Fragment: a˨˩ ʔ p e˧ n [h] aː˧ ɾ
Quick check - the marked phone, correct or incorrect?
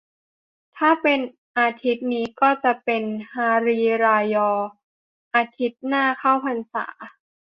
correct